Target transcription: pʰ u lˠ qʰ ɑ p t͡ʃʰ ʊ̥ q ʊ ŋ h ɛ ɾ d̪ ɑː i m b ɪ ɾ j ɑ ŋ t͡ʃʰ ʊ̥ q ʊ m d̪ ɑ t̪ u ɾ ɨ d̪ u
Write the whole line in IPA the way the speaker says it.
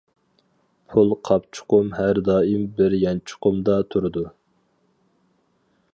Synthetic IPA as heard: pʰ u lˠ qʰ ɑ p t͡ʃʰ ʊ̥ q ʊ m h æ ɾ d̪ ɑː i m b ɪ ɾ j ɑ n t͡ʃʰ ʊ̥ q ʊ m d̪ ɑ t̪ʰ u ɾ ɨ d̪ u

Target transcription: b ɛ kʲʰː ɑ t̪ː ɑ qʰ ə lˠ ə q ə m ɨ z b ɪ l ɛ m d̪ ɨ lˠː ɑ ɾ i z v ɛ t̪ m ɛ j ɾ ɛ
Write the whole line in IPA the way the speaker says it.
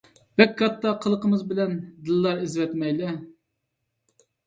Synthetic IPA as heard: b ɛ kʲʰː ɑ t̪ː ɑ qʰ ə lˠ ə q ə m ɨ z b ɪ l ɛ n d̪ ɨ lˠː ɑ ɾ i z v ɛ t̪ m ɛ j l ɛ

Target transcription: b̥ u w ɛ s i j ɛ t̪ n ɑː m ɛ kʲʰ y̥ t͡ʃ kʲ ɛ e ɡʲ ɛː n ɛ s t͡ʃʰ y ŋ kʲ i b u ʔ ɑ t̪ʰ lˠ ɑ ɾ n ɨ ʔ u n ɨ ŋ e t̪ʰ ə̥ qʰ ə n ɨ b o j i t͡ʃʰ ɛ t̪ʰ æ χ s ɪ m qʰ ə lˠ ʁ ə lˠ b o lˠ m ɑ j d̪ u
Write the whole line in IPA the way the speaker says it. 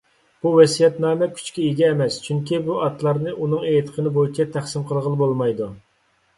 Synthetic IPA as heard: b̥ u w ɛ s i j ɛ t̪ n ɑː m ɛ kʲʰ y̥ t͡ʃ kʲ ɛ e ɡʲ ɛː m ɛ s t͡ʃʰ y ŋ kʲ i b u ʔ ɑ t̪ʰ lˠ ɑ ɾ n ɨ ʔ u n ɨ ŋ e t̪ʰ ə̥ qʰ ə n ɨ b o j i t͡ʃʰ ɛ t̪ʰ æ χ s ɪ m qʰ ə lˠ ʁ ə lˠ b o lˠ m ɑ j d̪ u

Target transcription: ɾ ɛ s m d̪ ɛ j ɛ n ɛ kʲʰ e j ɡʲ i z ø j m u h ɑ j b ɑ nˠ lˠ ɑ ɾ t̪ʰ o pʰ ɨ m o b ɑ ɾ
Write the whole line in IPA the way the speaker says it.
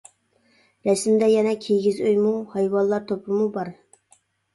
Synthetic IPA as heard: ɾ ɛ s m d̪ ɛ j ɛ n ɛ kʲʰ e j ɡʲ i z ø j m u h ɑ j w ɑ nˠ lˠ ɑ ɾ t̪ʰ o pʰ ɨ m u b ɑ ɾ

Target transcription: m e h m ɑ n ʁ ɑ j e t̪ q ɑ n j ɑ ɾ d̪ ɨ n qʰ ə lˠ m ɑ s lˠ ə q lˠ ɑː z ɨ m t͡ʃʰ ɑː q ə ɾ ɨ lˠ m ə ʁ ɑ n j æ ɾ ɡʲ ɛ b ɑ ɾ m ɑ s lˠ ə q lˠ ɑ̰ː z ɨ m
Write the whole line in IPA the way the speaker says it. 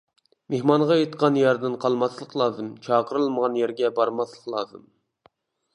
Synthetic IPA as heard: m e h m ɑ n ʁ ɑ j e t̪ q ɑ n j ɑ ɾ d̪ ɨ n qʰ ɑ lˠ m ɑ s lˠ ə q lˠ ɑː z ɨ m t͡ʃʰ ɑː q ə ɾ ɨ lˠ m ə ʁ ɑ n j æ ɾ ɡʲ ɛ b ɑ ɾ m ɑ s lˠ ə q lˠ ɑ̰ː z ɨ m

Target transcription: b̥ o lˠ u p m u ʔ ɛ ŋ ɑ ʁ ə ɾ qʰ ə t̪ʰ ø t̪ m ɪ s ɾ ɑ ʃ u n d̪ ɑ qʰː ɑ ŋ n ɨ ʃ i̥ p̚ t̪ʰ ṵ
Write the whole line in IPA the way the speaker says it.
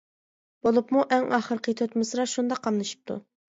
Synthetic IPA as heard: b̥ o lˠ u p m u ʔ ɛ ŋ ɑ χ ə ɾ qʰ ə t̪ʰ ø t̪ m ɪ s ɾ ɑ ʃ u n d̪ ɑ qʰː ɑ m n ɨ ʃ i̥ p̚ t̪ʰ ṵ

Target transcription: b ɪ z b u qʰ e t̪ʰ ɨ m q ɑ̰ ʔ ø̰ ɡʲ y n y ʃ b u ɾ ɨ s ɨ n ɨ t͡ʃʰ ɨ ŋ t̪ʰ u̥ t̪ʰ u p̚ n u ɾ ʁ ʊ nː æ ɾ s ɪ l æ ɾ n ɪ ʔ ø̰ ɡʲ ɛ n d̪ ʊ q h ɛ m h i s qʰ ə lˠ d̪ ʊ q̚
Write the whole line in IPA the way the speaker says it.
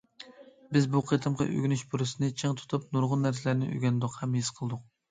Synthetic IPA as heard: b ɪ z b u qʰ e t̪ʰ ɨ m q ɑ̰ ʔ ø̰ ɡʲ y n y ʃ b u ɾ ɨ s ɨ n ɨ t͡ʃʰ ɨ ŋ t̪ʰ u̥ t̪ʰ u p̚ n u ɾ ʁ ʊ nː æ ɾ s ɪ l æ ɾ n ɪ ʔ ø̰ ɡʲ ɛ n d̪ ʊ q h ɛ m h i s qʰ ə lˠ d̪ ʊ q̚

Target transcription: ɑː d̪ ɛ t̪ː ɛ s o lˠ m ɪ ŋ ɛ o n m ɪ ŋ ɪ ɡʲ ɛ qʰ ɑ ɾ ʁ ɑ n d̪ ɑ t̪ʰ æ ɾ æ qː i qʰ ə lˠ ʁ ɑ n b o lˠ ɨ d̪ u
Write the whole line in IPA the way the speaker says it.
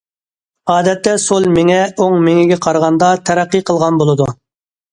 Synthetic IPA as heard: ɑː d̪ ɛ t̪ː ɛ s o lˠ m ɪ ŋ ɛ o ŋ m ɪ ŋ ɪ ɡʲ ɛ qʰ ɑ ɾ ʁ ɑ n d̪ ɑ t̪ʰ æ ɾ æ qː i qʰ ə lˠ ʁ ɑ n b o lˠ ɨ d̪ u

